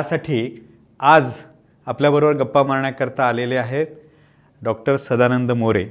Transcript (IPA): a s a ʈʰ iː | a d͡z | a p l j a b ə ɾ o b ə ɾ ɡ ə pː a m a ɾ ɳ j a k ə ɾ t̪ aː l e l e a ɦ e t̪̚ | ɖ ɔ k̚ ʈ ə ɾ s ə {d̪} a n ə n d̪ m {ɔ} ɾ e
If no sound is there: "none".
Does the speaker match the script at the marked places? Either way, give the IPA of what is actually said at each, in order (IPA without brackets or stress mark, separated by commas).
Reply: d̪, o